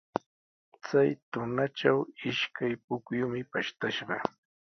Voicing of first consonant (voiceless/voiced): voiceless